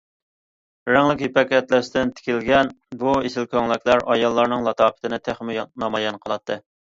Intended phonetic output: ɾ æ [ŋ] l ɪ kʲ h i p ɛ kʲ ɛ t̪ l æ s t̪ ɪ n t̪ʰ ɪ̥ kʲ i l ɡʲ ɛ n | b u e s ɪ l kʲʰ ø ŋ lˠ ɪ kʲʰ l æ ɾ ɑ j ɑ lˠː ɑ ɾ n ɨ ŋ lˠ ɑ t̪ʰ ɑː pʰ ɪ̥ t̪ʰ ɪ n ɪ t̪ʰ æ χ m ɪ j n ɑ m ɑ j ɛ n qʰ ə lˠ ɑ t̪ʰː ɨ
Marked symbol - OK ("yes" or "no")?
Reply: yes